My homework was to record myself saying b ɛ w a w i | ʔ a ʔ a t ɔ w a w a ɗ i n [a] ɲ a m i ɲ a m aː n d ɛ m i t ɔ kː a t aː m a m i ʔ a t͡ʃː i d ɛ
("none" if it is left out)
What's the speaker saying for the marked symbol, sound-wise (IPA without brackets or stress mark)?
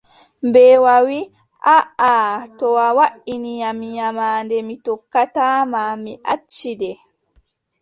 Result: i